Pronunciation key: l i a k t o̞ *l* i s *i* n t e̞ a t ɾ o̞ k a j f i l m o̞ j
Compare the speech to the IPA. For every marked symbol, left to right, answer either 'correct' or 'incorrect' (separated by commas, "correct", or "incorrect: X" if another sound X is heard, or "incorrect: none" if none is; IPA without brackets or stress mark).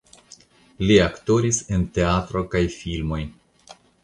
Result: incorrect: ɾ, incorrect: e